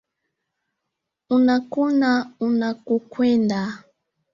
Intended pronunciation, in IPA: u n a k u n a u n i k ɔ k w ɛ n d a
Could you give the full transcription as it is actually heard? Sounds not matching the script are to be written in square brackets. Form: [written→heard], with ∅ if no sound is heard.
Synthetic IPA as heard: u n a k u n a u n [i→a] k [ɔ→u] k w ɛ n d a